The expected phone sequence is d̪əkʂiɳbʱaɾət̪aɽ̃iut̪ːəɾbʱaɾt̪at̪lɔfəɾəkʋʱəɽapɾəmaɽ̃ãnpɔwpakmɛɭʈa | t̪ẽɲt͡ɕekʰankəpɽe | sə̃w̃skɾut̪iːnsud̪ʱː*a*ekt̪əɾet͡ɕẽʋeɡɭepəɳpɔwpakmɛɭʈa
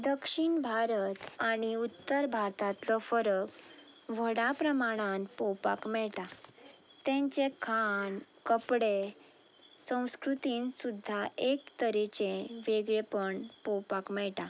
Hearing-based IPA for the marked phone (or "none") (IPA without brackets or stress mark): a